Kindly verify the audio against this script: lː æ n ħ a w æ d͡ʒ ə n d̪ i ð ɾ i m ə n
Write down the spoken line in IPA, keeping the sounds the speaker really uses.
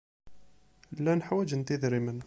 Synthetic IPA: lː æ n ħ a w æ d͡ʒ ə n t̪ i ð ɾ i m ə n